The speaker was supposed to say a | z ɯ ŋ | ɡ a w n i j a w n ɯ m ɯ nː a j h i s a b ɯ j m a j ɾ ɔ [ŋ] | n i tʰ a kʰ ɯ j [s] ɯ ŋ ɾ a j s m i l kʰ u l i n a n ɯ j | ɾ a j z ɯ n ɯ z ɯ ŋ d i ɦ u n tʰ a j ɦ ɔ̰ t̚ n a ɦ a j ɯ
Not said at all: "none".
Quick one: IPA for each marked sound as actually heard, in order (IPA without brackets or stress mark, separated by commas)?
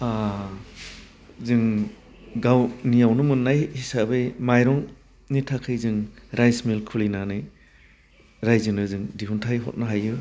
ŋ, z